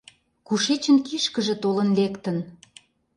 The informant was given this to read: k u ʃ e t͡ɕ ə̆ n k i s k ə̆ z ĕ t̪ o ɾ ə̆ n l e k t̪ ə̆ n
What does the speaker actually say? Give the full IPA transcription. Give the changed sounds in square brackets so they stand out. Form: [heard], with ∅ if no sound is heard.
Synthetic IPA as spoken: k u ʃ e t͡ɕ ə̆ n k i [ʃ] k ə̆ [ʒ] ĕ t̪ o [l] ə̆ n l e k t̪ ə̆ n